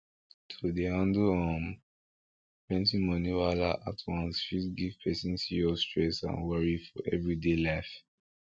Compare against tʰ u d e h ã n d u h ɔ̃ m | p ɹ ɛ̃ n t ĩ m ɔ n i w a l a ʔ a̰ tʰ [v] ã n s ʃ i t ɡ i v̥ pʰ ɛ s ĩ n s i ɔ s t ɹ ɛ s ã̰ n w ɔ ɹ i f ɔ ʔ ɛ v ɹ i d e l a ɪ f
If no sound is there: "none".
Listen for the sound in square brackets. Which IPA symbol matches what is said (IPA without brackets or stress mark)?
w